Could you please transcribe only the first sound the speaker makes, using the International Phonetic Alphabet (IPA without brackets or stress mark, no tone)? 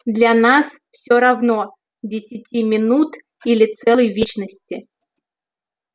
d̪